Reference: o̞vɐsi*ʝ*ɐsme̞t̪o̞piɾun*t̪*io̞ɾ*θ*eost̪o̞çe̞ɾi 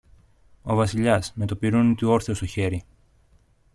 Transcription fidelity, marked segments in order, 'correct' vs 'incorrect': incorrect, correct, correct

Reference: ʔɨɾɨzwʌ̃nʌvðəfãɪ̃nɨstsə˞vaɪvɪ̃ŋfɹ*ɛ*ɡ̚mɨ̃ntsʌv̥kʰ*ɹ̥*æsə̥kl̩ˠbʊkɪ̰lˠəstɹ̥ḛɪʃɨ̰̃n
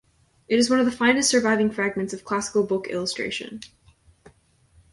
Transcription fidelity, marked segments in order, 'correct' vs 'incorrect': incorrect, incorrect

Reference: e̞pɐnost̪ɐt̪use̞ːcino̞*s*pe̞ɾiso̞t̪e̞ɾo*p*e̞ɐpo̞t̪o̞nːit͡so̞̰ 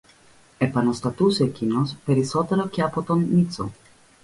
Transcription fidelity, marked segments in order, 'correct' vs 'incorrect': correct, incorrect

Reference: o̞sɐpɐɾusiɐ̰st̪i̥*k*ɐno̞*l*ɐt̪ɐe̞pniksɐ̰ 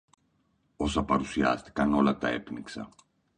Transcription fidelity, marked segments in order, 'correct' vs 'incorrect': correct, correct

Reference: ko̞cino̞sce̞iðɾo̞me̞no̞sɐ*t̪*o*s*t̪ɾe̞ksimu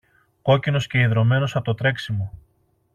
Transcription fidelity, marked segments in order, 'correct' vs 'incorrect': correct, incorrect

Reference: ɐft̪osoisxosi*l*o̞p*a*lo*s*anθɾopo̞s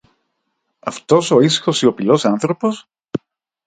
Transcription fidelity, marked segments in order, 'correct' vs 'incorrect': incorrect, incorrect, correct

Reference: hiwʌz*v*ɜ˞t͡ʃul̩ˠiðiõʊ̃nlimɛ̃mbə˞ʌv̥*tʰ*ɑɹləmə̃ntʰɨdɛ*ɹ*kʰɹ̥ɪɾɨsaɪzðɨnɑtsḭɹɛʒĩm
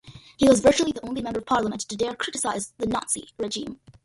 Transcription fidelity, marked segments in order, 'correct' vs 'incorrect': correct, incorrect, correct

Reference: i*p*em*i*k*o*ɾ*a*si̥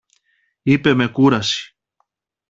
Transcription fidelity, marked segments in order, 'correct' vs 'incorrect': correct, incorrect, incorrect, correct

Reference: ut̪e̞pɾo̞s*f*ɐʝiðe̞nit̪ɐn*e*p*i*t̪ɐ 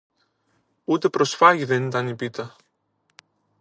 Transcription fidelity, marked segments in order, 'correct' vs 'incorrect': correct, incorrect, correct

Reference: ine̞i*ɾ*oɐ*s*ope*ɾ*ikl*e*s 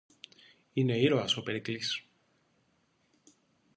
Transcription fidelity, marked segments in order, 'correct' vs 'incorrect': correct, correct, correct, incorrect

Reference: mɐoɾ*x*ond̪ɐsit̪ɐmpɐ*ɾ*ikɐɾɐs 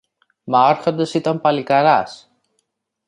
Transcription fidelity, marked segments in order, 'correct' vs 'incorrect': correct, incorrect

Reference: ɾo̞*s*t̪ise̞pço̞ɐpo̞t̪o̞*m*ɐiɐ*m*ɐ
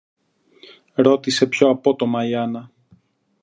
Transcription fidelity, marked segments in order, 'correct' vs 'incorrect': incorrect, correct, incorrect

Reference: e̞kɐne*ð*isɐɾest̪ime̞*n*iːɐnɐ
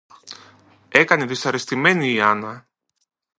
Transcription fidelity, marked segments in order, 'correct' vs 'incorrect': correct, correct

